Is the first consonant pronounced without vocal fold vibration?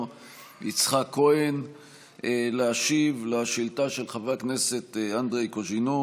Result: yes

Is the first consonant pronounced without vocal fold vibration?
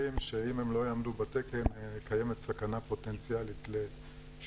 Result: no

